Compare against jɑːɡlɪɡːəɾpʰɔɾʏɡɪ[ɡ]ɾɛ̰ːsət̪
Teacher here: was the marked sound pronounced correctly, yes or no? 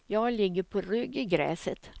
yes